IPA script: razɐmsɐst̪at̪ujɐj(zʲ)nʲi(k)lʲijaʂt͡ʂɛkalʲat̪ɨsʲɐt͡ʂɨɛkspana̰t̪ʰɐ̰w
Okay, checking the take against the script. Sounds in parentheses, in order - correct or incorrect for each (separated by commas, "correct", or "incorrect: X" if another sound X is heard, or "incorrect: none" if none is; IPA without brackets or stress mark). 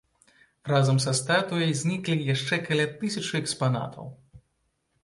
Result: correct, correct